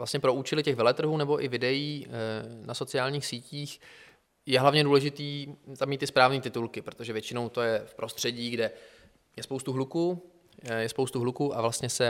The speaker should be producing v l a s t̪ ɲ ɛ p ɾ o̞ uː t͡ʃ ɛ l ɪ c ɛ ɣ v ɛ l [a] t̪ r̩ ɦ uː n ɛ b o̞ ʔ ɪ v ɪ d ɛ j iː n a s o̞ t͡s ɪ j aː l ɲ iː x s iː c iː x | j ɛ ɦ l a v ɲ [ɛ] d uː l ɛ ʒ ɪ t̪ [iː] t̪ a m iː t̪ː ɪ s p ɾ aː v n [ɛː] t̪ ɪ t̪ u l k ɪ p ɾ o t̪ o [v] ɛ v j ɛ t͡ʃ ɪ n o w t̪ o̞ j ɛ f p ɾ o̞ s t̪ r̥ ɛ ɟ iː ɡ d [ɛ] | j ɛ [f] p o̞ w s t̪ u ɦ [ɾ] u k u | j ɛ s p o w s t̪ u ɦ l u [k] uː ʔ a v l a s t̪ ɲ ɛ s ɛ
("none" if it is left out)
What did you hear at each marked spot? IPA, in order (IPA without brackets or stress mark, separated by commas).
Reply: ɛ, ɛ, iː, iː, ʒ, ɛ, s, l, k